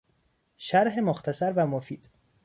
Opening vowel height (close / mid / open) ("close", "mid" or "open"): open